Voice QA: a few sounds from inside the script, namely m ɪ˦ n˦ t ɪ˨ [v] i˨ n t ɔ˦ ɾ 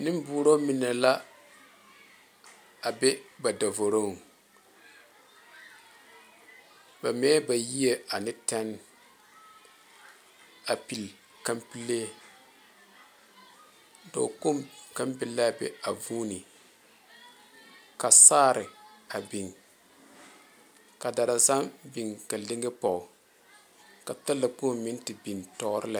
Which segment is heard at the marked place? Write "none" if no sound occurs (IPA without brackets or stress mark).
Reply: b